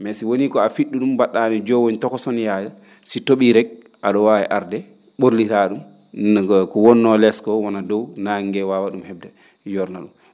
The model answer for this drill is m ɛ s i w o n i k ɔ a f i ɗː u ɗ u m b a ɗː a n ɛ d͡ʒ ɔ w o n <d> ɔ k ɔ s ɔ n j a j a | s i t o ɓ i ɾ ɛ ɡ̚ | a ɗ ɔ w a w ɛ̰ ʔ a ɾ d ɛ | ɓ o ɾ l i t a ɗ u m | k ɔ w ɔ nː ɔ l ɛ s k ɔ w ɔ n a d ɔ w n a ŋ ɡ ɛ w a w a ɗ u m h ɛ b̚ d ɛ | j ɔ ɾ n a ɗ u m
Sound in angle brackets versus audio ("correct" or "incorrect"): incorrect